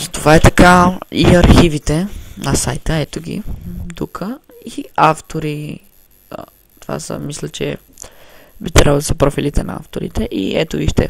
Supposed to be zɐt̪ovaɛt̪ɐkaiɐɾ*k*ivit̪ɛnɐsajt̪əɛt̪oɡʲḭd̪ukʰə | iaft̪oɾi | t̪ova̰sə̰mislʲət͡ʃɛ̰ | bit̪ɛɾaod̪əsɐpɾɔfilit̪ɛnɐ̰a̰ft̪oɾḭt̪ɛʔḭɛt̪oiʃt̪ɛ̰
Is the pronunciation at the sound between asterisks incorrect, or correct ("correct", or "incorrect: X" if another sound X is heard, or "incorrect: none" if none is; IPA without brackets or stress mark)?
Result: incorrect: x